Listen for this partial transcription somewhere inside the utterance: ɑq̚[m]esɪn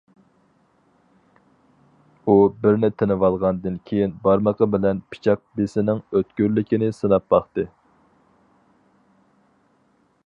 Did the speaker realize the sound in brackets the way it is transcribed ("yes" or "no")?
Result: no